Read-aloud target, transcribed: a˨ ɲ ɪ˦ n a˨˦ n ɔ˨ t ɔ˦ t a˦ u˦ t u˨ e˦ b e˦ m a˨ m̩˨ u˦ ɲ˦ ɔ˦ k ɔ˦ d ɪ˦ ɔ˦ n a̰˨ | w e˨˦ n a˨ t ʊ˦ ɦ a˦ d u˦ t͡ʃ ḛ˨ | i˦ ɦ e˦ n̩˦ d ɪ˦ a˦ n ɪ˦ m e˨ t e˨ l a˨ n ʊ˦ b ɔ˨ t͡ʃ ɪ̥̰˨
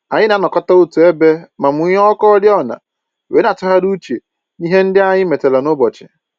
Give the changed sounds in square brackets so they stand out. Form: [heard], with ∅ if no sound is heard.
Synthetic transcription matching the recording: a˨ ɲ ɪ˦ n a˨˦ n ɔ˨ [k] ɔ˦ t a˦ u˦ t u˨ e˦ b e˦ m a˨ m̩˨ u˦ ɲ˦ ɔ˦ k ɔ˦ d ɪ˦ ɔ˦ n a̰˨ | w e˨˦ n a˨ t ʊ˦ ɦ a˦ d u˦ t͡ʃ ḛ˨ | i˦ ɦ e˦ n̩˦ d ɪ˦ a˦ [ɲ] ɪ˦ m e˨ t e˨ l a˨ n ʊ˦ b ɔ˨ t͡ʃ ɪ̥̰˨